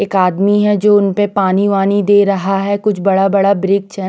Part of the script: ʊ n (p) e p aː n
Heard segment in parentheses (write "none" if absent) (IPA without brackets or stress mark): p